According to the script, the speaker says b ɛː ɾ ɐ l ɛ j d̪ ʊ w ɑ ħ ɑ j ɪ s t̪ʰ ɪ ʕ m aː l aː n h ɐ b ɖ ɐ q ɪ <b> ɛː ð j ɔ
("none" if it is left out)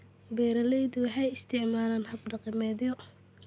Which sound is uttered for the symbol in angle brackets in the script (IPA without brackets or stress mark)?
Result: m